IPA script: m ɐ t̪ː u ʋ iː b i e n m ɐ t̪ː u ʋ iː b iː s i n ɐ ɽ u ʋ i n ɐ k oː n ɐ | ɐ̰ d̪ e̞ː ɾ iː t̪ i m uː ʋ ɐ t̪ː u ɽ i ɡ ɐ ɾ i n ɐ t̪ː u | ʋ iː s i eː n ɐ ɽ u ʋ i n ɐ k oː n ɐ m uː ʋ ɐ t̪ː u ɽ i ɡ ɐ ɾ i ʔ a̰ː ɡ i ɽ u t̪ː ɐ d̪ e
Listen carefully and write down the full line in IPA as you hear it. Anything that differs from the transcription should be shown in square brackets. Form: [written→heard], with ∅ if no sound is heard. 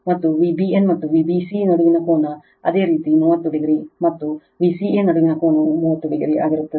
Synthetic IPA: m ɐ t̪ː u ʋ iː b i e n m ɐ t̪ː u ʋ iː b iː s i n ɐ ɽ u ʋ i n ɐ k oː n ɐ | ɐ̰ d̪ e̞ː ɾ iː t̪ i m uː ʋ ɐ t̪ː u ɽ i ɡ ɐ ɾ i [n→m] ɐ t̪ː u | ʋ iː s i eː n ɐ ɽ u ʋ i n ɐ k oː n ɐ m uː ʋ ɐ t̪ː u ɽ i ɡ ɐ ɾ i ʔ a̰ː ɡ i [ɽ→ɾ] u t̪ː ɐ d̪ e

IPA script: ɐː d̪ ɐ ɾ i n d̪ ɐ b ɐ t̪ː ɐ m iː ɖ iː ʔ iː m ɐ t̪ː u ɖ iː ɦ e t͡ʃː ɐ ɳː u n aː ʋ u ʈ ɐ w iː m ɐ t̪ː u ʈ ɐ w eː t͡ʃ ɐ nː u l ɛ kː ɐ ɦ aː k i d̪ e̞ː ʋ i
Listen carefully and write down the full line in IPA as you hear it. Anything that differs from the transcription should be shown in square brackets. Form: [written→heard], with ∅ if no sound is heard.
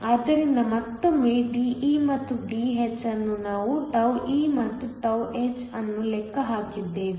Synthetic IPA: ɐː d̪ ɐ ɾ i n d̪ ɐ [b→m] ɐ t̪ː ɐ m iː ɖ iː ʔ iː m ɐ t̪ː u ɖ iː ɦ e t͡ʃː ɐ [ɳː→nː] u n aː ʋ u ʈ ɐ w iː m ɐ t̪ː u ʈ ɐ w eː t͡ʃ ɐ nː u l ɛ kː ɐ ɦ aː k i [d̪→d̪ː] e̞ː ʋ i

